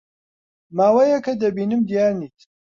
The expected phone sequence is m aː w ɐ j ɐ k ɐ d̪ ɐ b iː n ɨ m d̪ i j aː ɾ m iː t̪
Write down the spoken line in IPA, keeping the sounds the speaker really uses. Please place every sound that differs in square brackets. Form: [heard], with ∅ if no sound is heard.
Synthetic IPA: m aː w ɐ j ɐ k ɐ d̪ ɐ b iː n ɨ m d̪ i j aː ɾ [n] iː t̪